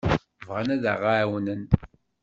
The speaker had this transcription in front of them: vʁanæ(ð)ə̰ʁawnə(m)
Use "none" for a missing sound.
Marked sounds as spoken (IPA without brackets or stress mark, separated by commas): ð, n